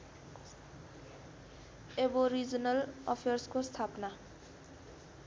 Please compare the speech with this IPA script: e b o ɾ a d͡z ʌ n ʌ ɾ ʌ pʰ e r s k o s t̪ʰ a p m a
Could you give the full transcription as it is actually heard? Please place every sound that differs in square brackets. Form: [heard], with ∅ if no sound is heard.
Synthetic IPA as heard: e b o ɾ [i] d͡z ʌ n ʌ [l] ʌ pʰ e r s k o s t̪ʰ a p [n] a